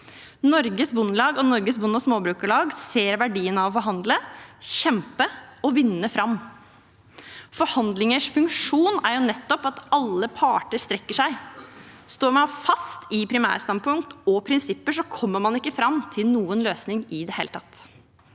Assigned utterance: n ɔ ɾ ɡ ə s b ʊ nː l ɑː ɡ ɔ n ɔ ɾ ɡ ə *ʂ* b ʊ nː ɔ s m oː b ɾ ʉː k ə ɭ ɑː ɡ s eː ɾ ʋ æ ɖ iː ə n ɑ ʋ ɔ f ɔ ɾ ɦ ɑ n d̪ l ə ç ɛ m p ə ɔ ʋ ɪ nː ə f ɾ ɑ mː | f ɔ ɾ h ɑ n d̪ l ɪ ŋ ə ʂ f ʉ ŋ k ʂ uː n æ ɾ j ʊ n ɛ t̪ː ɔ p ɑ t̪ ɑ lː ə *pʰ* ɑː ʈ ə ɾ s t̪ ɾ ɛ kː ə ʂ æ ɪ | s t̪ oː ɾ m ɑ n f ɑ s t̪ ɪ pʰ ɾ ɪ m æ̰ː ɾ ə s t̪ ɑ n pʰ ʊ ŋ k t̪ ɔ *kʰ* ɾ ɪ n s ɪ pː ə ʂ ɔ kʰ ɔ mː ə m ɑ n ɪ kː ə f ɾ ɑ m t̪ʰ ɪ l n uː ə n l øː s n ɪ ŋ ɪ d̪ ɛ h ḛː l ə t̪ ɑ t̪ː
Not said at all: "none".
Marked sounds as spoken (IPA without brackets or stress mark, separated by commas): s, pʰ, pʰ